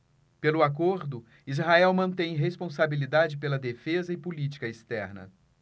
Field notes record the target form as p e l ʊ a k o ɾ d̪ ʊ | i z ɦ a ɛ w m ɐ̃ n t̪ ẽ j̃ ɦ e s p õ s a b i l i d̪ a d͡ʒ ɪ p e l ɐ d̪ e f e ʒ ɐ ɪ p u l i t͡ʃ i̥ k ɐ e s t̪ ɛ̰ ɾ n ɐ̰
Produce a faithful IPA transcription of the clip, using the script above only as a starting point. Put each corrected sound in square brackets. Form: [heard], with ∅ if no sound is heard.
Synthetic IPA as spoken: p e l ʊ a k o ɾ d̪ ʊ | i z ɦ a ɛ w m ɐ̃ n t̪ ẽ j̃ ɦ e s p õ s a b i l i d̪ a d͡ʒ ɪ p e l ɐ d̪ e f e [z] ɐ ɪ p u l i t͡ʃ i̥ k ɐ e s t̪ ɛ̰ ɾ n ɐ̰